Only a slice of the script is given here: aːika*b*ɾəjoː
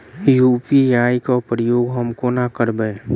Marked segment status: incorrect: p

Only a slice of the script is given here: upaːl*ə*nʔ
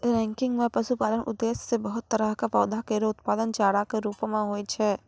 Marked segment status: correct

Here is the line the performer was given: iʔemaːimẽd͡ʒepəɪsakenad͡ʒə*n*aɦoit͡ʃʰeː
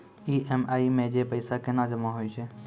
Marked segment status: incorrect: m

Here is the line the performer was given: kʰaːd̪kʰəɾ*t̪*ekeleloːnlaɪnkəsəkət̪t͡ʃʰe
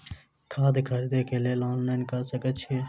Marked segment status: incorrect: d̪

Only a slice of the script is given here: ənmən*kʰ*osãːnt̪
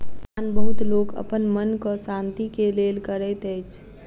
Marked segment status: incorrect: k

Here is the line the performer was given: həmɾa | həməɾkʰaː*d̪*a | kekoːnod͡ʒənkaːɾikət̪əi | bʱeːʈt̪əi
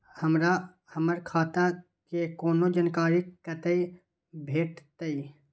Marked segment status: incorrect: t̪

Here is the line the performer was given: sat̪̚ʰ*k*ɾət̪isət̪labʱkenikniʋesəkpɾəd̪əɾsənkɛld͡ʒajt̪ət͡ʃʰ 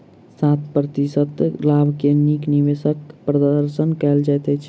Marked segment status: incorrect: p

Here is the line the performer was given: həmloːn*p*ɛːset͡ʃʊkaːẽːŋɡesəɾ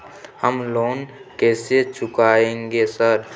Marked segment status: incorrect: k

